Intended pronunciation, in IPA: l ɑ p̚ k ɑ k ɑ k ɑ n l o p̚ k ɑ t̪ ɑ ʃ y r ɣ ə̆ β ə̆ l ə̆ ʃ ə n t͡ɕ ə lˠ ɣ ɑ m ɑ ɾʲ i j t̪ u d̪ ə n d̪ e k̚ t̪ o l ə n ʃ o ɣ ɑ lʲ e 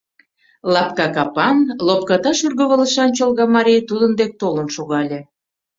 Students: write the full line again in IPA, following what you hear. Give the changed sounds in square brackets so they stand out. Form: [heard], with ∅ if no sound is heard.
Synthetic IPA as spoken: l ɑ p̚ k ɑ k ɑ [p] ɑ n l o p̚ k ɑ t̪ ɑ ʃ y r ɣ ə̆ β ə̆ l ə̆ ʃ [ɑ] n t͡ɕ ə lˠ ɣ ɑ m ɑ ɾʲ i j t̪ u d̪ ə n d̪ e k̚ t̪ o l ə n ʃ o ɣ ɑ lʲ e